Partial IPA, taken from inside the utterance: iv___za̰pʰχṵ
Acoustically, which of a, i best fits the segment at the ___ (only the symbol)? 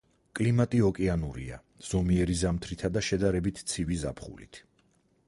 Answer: i